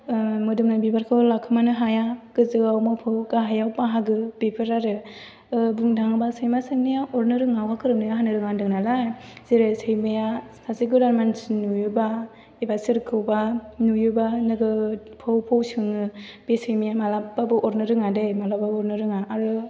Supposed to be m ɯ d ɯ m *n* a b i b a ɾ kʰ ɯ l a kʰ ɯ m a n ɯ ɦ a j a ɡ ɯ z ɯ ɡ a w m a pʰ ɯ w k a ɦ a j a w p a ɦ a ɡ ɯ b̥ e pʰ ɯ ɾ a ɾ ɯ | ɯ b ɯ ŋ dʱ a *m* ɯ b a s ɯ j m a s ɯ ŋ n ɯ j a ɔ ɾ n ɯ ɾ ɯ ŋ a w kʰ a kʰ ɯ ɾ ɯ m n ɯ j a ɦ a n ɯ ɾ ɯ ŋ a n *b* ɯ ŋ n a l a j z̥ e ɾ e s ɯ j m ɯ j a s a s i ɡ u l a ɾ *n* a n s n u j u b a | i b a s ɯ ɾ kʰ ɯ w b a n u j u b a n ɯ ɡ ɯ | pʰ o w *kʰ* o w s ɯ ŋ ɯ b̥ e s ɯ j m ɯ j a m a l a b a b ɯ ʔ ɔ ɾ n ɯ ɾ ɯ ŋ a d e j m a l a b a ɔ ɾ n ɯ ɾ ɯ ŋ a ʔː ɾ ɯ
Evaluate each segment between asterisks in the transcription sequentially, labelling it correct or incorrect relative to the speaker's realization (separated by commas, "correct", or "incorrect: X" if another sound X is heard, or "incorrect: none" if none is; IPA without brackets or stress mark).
correct, incorrect: ŋ, incorrect: d, incorrect: m, incorrect: pʰ